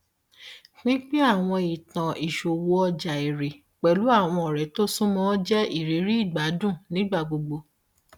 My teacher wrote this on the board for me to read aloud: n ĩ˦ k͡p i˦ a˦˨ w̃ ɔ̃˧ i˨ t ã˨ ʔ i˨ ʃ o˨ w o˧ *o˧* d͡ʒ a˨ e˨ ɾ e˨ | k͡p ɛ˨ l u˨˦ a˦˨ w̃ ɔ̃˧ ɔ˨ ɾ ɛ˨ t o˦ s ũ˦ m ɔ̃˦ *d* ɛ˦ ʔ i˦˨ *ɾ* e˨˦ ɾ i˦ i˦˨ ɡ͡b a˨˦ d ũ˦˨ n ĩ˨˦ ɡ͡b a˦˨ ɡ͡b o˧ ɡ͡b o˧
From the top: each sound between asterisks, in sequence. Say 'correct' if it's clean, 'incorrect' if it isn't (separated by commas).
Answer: incorrect, incorrect, correct